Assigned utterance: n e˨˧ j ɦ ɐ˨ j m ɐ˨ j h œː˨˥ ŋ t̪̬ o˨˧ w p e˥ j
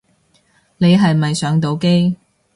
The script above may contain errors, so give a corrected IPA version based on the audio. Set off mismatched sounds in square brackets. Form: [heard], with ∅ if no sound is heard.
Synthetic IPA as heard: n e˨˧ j ɦ ɐ˨ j m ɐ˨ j [s] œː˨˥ ŋ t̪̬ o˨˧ w [k] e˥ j